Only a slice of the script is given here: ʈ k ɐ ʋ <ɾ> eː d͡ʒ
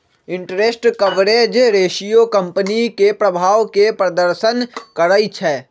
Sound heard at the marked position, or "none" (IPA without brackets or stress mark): ɾ